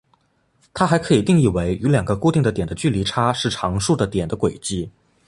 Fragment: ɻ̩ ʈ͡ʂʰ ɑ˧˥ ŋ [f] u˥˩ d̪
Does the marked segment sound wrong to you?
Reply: yes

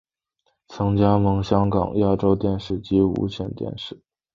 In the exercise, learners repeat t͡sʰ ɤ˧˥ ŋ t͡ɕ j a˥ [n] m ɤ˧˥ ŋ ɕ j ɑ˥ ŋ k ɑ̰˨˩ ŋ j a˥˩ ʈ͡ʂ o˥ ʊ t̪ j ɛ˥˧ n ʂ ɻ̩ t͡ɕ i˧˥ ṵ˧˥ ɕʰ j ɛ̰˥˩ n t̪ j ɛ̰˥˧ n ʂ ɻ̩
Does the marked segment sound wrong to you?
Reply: yes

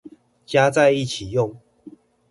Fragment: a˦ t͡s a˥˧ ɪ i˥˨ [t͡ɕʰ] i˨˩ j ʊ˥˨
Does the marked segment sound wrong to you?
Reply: no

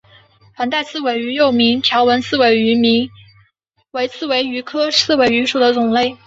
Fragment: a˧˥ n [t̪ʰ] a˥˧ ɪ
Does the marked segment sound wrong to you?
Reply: yes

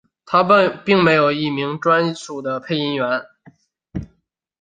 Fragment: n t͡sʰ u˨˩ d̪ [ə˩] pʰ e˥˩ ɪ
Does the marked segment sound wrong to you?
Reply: yes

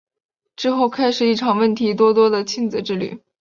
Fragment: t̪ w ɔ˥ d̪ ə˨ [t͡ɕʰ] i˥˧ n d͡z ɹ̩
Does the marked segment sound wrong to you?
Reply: no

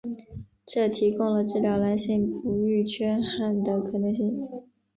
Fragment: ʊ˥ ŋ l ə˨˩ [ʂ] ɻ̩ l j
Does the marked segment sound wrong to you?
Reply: yes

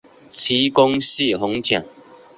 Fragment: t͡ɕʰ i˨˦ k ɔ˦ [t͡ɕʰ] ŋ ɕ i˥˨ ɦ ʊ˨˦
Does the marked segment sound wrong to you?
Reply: yes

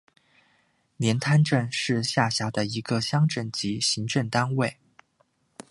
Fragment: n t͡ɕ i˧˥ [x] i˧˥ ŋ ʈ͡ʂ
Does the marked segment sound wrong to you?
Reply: yes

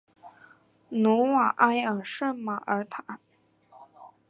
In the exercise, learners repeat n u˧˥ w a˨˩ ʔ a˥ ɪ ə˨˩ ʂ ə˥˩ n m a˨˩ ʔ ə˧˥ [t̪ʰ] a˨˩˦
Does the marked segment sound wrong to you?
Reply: no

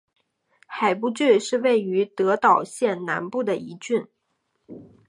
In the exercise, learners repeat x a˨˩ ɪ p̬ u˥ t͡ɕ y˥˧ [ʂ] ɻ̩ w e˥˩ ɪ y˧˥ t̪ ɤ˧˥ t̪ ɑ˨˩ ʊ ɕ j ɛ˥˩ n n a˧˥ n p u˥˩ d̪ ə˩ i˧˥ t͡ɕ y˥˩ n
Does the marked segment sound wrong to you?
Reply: no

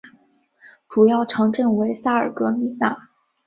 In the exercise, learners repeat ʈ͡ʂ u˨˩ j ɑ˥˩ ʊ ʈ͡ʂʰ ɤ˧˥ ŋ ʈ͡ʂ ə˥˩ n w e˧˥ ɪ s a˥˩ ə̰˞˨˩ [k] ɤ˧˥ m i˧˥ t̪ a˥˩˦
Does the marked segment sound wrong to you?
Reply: no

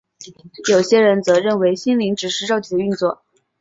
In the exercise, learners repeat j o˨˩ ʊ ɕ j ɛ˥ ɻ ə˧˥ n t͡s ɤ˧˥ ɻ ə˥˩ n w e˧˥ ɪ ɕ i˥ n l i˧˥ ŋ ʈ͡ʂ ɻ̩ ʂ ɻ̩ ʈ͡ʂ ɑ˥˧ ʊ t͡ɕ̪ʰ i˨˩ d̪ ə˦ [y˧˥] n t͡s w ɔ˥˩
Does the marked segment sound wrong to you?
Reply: yes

